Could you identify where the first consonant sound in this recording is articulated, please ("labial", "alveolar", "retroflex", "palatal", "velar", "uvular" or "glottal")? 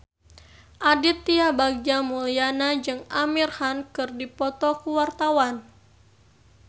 glottal